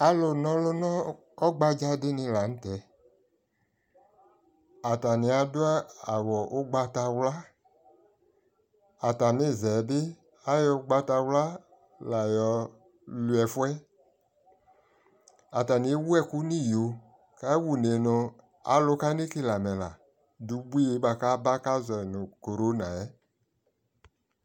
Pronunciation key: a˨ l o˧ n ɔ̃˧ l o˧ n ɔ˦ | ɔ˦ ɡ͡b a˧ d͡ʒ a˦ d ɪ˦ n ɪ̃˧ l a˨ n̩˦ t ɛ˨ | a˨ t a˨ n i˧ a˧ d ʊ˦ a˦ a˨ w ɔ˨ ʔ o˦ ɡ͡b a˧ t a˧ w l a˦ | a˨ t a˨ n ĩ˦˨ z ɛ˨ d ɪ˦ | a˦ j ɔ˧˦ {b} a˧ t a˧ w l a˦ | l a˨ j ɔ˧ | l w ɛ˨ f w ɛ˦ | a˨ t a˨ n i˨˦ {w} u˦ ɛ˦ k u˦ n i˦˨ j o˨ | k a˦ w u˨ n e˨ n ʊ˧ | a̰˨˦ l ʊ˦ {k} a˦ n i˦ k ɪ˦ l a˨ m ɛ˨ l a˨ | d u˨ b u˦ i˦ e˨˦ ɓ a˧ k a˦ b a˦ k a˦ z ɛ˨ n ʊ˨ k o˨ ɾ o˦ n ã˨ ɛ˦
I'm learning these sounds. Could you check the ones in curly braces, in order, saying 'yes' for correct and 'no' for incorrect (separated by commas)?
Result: no, yes, yes